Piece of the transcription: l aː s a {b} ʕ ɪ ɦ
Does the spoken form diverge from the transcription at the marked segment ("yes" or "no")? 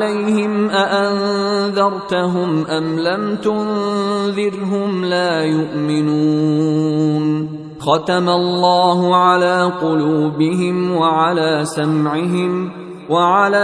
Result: yes